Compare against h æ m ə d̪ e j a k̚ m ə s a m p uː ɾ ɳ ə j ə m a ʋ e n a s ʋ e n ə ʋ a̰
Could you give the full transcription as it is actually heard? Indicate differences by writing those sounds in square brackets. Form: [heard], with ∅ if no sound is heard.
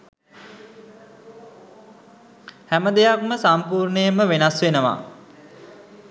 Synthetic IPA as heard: h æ m ə d̪ e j a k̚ m ə s a m p uː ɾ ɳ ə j ə m [ə] ʋ e n a s ʋ e n ə ʋ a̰